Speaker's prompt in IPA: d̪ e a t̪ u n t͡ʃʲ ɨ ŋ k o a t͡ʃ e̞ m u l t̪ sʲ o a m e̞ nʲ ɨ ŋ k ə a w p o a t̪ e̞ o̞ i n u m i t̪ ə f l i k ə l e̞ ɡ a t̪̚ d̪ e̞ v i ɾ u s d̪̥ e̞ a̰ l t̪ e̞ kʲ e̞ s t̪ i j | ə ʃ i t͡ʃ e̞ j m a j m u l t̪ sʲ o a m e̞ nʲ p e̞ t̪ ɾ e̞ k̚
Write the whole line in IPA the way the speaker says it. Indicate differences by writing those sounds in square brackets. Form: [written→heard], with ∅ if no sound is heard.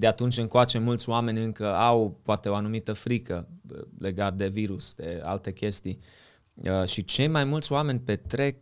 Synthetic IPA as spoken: d̪ e a t̪ u n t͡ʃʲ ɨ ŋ k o a t͡ʃ e̞ m u l t̪ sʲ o a m e̞ nʲ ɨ ŋ k ə a w p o a t̪ e̞ o̞ [i→a] n u m i t̪ ə f [l→ɾ] i k ə l e̞ ɡ a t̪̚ d̪ e̞ v i ɾ u s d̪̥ e̞ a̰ l t̪ e̞ kʲ e̞ s t̪ i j | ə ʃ i t͡ʃ e̞ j m a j m u l t̪ sʲ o a m e̞ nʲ p e̞ t̪ ɾ e̞ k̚